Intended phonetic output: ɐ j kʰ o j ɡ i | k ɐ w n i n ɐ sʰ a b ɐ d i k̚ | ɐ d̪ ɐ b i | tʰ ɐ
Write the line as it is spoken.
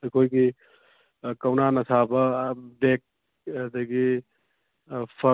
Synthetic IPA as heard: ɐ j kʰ o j ɡ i | k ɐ w n a n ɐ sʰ a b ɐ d e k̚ | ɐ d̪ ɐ ɡ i | pʰ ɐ

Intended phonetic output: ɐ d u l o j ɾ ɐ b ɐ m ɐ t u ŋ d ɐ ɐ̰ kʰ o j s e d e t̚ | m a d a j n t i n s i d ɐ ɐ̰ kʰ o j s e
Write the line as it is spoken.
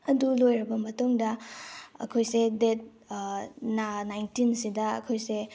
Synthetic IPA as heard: ɐ d u l o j ɾ ɐ b ɐ m ɐ t u ŋ d ɐ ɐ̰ kʰ o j s e d e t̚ | n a n a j n t i n s i d ɐ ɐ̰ kʰ o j s e

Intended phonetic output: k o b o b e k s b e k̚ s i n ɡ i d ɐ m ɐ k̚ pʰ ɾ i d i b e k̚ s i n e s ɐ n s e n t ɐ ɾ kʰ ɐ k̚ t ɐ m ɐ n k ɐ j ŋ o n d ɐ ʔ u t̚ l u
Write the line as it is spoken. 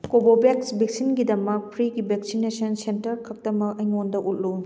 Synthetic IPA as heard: k o b o b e k s b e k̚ s i n ɡ i d ɐ m ɐ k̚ pʰ ɾ i ɡ i b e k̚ s i n e s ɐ n s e n t ɐ ɾ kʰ ɐ k̚ t ɐ m ɐ k ɐ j ŋ o n d ɐ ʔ u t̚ l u

